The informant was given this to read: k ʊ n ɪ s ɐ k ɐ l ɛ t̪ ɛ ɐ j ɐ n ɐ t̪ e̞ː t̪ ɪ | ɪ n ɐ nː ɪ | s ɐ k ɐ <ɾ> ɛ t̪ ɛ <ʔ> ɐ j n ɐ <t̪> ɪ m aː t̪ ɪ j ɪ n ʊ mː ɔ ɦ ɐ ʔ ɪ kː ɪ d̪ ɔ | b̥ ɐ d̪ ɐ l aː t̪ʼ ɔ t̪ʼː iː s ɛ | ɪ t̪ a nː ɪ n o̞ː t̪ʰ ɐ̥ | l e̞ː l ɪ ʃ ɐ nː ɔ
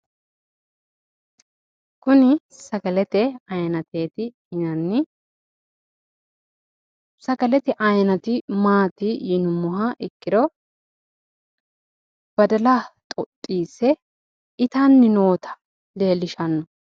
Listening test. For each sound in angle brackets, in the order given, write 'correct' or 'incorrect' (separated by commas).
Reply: incorrect, correct, correct